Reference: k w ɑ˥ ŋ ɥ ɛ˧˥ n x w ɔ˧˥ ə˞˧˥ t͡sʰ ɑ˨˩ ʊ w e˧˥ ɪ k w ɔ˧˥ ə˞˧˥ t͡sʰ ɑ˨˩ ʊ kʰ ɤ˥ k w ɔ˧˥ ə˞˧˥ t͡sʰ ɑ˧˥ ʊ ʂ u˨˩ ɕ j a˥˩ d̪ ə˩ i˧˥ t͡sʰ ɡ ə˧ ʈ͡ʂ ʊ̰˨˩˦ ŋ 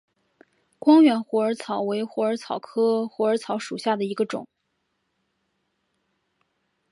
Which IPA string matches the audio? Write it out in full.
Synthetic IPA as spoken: k w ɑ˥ ŋ ɥ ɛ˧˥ n x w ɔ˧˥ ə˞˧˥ t͡sʰ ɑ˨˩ ʊ w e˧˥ ɪ x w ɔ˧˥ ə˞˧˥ t͡sʰ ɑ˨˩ ʊ kʰ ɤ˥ x w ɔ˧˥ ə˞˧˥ t͡sʰ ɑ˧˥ ʊ ʂ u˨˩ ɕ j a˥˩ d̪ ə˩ i˧˥ ɡ ə˧ ʈ͡ʂ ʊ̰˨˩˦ ŋ